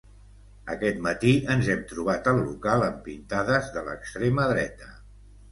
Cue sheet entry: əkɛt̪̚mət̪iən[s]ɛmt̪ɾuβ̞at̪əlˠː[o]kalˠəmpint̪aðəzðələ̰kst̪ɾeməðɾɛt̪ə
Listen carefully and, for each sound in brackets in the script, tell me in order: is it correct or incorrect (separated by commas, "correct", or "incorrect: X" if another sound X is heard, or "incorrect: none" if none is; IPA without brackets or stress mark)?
incorrect: z, incorrect: u